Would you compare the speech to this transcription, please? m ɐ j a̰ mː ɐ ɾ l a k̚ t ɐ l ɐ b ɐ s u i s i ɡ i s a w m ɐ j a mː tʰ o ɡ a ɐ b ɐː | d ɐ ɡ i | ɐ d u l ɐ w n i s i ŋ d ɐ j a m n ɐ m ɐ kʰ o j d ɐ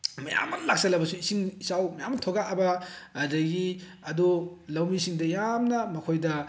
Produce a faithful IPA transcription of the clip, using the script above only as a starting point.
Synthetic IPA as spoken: m ɐ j a̰ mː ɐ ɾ l a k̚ s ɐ l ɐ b ɐ s u i s i ŋ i s a w m ɐ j a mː tʰ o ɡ a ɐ b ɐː | d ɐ ɡ i | ɐ d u l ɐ w m i s i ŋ d ɐ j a m n ɐ m ɐ kʰ o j d ɐ